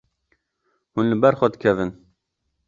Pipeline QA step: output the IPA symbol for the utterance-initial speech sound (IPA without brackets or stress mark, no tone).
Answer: h